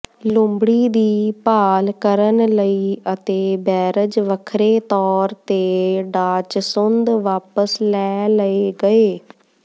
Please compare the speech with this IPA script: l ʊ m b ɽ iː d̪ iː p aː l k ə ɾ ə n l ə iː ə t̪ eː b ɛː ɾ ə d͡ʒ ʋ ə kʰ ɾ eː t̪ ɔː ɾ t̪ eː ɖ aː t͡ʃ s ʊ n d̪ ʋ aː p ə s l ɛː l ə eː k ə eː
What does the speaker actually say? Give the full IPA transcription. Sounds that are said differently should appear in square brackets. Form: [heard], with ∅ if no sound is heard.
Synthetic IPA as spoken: l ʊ m b ɽ iː d̪ iː p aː l k ə ɾ ə n l ə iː ə t̪ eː b ɛː ɾ ə d͡ʒ ʋ ə kʰ ɾ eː t̪ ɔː ɾ t̪ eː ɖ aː t͡ʃ s ʊ n d̪ ʋ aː p ə s l ɛː l ə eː [ɡ] ə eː